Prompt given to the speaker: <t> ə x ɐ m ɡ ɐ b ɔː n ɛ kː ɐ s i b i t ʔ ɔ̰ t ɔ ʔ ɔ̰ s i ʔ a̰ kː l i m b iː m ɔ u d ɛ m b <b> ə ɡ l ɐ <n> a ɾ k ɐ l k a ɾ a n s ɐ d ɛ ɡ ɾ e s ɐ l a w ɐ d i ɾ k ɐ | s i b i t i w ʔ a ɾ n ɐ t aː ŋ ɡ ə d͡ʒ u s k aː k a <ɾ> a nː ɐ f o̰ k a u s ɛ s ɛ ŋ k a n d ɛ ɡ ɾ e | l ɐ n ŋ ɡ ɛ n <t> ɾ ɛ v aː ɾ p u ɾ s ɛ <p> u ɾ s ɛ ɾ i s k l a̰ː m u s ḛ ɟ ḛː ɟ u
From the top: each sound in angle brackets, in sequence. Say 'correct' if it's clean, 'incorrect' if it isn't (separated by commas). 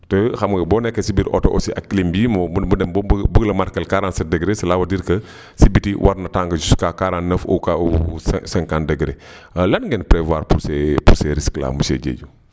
correct, correct, incorrect, correct, incorrect, correct